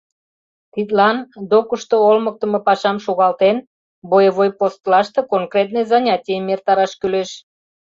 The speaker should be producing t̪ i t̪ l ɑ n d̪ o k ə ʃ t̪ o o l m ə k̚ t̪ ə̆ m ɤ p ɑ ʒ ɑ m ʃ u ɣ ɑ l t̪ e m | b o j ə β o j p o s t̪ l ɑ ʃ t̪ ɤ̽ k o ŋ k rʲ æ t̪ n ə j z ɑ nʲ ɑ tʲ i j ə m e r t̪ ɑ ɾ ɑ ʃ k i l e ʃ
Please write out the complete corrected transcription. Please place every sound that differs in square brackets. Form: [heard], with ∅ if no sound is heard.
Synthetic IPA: t̪ i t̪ l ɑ n d̪ o k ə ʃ t̪ o o l m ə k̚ t̪ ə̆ m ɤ p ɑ [ʃ] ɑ m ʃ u ɣ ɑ l t̪ e [n] | b o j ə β o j p o s t̪ l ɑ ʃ t̪ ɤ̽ k o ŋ k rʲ [e] t̪ n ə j z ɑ nʲ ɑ tʲ i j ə m e r t̪ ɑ ɾ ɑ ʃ k [y] l e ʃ